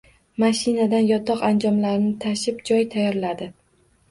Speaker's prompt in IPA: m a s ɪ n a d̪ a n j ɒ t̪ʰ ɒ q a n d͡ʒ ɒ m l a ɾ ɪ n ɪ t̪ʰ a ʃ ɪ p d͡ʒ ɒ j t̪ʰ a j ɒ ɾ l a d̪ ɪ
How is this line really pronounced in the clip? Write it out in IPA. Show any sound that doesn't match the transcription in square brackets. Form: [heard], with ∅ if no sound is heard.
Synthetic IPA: m a [ʃ] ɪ n a d̪ a n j ɒ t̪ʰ ɒ q a n d͡ʒ ɒ m l a ɾ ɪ n ɪ t̪ʰ a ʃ ɪ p d͡ʒ ɒ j t̪ʰ a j ɒ ɾ l a d̪ ɪ